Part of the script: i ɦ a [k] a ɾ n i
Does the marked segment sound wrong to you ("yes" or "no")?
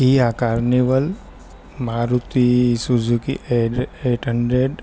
no